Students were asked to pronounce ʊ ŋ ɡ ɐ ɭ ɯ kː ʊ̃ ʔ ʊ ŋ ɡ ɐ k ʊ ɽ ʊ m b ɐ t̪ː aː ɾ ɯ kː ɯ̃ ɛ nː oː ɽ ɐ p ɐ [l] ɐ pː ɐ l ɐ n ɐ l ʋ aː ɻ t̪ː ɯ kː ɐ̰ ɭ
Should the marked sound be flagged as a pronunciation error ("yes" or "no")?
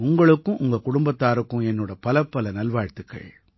no